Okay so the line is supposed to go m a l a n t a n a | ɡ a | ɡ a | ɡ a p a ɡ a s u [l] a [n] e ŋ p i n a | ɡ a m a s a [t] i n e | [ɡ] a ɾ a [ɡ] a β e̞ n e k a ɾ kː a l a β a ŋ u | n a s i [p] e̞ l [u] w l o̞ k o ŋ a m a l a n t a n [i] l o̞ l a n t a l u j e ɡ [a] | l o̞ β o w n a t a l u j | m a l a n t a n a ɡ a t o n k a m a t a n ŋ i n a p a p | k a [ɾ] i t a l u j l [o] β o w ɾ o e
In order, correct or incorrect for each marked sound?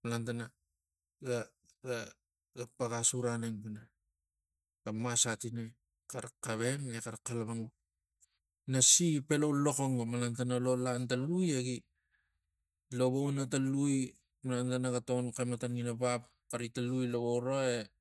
incorrect: ɾ, correct, correct, incorrect: k, incorrect: k, correct, incorrect: o, incorrect: a, incorrect: i, correct, correct

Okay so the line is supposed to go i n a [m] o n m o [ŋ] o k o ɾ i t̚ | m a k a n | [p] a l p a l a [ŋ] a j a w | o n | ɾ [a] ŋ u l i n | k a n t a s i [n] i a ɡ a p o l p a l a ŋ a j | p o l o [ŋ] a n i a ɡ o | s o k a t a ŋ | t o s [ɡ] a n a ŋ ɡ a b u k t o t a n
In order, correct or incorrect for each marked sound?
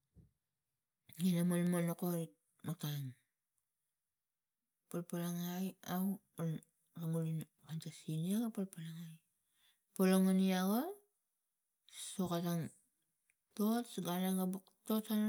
correct, incorrect: n, correct, correct, correct, correct, correct, correct

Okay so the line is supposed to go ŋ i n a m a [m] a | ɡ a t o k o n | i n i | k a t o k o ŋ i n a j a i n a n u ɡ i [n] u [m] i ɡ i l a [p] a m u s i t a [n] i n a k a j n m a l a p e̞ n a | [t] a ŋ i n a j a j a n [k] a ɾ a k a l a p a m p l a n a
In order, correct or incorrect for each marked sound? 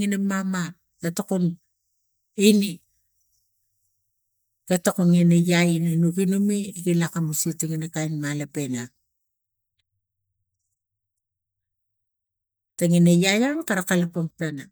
correct, correct, correct, incorrect: k, incorrect: ŋ, correct, correct

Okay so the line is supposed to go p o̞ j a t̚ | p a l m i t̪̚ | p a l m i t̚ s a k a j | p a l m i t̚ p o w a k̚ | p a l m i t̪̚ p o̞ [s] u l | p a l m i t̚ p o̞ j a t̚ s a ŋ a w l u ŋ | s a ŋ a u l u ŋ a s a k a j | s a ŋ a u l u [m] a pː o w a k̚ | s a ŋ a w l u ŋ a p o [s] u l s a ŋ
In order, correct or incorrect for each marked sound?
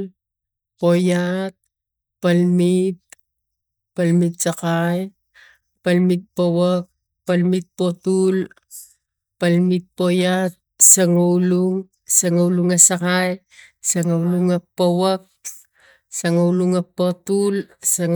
incorrect: t, incorrect: ŋ, incorrect: t

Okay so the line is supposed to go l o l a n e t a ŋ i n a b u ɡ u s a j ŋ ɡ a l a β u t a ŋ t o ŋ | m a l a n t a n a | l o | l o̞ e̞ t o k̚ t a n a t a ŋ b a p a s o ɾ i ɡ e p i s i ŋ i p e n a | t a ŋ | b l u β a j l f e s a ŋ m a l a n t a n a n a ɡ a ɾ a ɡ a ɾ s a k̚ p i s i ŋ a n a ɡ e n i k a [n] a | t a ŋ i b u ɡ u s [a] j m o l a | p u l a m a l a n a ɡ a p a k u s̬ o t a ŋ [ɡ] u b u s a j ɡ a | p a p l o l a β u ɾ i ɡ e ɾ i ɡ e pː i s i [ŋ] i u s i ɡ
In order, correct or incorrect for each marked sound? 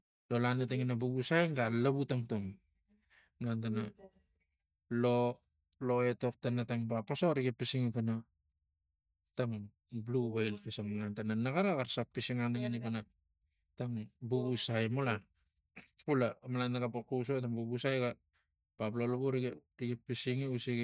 correct, correct, incorrect: b, correct

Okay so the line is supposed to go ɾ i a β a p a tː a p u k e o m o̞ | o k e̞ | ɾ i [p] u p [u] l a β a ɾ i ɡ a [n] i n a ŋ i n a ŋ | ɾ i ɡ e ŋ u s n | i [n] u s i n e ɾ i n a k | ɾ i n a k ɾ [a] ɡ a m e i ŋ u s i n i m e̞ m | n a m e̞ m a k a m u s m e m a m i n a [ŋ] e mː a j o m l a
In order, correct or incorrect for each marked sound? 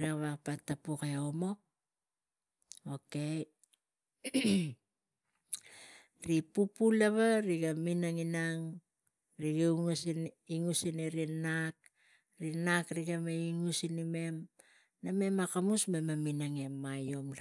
correct, correct, incorrect: m, incorrect: ŋ, incorrect: i, correct

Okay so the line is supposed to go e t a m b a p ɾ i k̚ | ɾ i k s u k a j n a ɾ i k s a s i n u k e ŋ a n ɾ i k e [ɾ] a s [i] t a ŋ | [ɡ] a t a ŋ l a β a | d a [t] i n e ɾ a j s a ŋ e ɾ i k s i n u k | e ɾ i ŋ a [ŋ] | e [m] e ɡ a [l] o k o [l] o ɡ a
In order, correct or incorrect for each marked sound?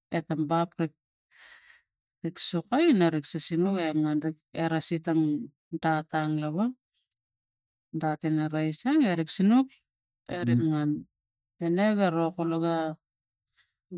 correct, correct, incorrect: d, correct, incorrect: n, incorrect: n, incorrect: ɾ, correct

